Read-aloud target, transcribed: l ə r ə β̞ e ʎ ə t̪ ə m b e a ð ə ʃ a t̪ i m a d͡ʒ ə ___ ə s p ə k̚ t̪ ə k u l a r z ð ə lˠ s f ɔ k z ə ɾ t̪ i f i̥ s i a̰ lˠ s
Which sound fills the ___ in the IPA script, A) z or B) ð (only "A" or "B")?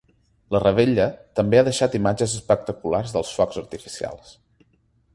A